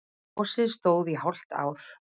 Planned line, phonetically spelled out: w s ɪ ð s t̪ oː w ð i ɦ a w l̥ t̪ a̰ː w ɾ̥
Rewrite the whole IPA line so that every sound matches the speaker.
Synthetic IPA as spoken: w s ɪ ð s t̪ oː w ð i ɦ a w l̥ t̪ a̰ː w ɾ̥